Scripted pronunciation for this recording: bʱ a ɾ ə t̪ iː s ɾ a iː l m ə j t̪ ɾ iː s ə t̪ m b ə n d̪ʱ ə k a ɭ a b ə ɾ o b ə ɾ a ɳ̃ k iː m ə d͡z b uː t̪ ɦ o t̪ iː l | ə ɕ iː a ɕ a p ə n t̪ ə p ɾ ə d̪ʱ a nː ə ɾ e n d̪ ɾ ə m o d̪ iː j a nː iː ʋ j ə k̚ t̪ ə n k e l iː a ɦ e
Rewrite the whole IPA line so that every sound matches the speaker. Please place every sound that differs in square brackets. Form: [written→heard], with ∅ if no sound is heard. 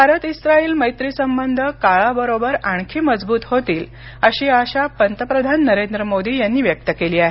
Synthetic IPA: bʱ a ɾ ə t̪ [iː→i] s ɾ a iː l m ə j t̪ ɾ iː s ə [t̪→∅] m b ə n d̪ʱ ə k a ɭ a b ə ɾ o b ə ɾ a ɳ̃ [k→kʰ] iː m ə d͡z b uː t̪ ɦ o t̪ iː l | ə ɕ iː a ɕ a p ə n t̪ ə p ɾ ə d̪ʱ a nː ə ɾ e n d̪ ɾ ə m o d̪ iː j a nː iː ʋ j ə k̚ t̪ ə [n→∅] k e l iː a ɦ e